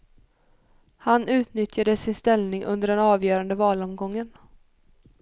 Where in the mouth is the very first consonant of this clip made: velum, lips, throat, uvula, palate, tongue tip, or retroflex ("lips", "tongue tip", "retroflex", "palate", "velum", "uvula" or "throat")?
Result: throat